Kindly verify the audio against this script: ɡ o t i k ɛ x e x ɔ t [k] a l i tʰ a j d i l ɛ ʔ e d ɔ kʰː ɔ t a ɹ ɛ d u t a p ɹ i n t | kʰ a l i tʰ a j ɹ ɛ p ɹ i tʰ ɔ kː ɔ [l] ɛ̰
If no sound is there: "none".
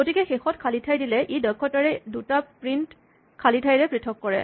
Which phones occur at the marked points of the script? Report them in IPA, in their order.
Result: kʰ, ɹ

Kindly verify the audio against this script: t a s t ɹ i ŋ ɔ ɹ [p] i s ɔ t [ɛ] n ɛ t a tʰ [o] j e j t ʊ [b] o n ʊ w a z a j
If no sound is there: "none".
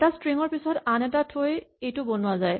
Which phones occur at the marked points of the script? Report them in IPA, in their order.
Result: p, a, o, b

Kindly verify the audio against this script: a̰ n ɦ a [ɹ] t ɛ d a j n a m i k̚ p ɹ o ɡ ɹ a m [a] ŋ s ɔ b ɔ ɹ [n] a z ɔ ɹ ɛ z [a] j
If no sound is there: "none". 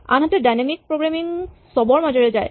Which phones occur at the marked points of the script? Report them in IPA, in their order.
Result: none, i, m, a

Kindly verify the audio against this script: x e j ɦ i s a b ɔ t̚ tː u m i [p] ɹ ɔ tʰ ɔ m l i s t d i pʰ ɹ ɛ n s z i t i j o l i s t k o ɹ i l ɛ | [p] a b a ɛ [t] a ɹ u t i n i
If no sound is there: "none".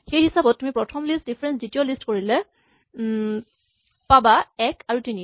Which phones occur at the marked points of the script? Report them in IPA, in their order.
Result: p, p, k

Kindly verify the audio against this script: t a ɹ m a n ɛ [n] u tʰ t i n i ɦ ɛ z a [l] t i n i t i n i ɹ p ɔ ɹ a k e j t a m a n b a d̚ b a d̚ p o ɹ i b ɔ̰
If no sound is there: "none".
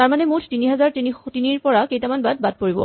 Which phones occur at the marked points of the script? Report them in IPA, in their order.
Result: m, ɹ

